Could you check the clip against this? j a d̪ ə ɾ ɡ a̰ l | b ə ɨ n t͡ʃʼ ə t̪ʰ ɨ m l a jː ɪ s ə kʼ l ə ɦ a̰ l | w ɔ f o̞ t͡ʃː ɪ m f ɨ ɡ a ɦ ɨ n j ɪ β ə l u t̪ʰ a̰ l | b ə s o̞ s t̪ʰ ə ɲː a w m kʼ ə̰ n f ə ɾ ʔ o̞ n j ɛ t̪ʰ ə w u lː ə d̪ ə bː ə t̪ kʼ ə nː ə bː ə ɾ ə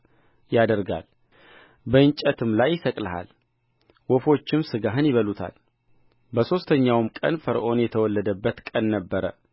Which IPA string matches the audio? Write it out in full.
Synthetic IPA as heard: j a d̪ ə ɾ ɡ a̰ l | b ə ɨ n t͡ʃʼ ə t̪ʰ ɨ m l a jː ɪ s ə kʼ l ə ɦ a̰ l | w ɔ f o̞ t͡ʃː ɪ m s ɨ ɡ a ɦ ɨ n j ɪ β ə l u t̪ʰ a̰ l | b ə s o̞ s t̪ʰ ə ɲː a w m kʼ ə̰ n f ə ɾ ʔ o̞ n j ɛ t̪ʰ ə w ɔ lː ə d̪ ə bː ə t̪ kʼ ə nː ə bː ə ɾ ə